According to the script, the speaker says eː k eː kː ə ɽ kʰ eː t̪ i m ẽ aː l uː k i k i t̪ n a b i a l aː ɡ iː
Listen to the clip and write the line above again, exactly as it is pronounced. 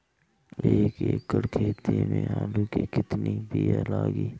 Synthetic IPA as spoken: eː k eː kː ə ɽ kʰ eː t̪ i m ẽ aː l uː k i k ɪ t̪ n i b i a l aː ɡ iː